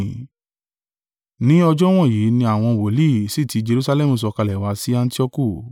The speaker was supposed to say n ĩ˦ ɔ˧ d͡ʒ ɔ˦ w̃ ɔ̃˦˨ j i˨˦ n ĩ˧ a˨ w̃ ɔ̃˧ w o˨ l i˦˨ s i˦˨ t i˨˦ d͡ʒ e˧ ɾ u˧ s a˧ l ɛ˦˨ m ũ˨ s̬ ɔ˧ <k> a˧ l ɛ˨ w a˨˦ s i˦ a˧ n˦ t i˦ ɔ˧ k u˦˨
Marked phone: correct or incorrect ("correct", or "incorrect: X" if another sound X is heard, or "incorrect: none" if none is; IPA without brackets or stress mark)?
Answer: correct